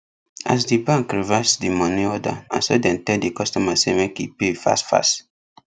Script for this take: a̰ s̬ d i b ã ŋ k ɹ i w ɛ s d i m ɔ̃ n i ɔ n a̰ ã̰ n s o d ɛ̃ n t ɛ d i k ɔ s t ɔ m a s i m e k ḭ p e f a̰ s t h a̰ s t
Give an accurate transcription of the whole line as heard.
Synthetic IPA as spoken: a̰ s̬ d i b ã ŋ k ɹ i v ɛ s d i m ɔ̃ n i ɔ d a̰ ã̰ n s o d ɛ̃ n t ɛ d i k ɔ s t ɔ m a s e m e k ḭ p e f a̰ s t f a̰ s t